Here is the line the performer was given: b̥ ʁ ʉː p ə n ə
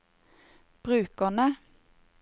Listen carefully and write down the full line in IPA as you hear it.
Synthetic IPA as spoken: b̥ ʁ ʉː k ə n ə